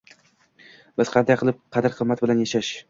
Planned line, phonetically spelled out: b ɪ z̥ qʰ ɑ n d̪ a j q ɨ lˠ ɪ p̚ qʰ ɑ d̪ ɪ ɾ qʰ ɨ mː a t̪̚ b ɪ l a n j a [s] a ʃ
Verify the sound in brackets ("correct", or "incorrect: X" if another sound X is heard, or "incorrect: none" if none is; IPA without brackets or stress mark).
incorrect: ʃ